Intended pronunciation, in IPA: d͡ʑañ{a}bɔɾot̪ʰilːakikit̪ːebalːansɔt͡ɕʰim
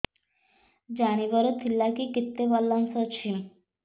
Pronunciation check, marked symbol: incorrect: i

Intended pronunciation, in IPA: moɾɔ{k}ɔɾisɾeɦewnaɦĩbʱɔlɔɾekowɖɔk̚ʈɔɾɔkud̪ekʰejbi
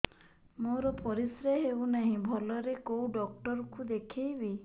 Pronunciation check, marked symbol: incorrect: p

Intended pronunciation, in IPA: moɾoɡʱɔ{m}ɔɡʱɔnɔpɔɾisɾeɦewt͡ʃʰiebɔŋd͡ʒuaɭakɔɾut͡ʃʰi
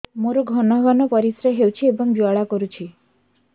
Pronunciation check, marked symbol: incorrect: n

